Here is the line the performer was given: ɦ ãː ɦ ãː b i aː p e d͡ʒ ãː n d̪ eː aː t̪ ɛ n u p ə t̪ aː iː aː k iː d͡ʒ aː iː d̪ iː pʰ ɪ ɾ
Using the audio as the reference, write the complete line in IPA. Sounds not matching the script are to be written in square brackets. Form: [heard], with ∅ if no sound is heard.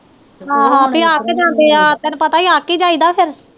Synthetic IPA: ɦ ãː ɦ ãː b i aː [k] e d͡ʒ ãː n d̪ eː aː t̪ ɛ n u p ə t̪ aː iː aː k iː d͡ʒ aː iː d̪ [aː] pʰ ɪ ɾ